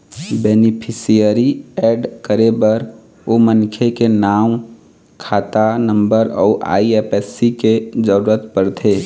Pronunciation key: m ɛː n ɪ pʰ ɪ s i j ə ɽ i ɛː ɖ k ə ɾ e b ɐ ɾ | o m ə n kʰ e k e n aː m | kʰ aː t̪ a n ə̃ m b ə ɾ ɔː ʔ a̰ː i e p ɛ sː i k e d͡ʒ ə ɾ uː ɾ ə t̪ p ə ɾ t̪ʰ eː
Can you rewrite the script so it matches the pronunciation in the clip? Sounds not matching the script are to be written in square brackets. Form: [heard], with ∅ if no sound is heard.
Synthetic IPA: [b] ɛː n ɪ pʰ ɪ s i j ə [ɾ] i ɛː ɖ k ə ɾ e b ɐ ɾ | o m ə n kʰ e k e n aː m | kʰ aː t̪ a n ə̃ m b ə ɾ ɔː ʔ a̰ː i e p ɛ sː i k e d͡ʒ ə ɾ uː ɾ ə t̪ p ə ɾ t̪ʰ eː